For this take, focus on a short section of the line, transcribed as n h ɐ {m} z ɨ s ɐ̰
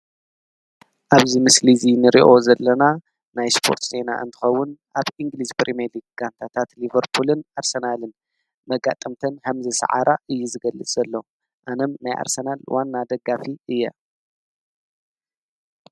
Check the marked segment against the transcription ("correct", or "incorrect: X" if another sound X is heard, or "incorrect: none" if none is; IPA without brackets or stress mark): correct